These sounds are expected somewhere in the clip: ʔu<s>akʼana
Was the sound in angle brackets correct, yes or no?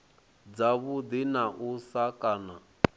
yes